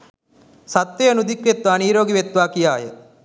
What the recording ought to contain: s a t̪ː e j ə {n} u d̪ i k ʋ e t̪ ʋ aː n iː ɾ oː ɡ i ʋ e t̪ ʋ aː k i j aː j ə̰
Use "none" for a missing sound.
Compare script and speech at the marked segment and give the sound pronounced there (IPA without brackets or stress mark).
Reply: n